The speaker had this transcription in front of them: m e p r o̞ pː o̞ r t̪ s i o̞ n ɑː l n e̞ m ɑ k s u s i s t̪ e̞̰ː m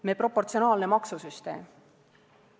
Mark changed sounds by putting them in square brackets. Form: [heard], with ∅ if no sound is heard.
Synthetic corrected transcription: m e p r o̞ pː o̞ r t̪ s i o̞ n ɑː l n e̞ m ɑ k s u s [y] s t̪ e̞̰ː m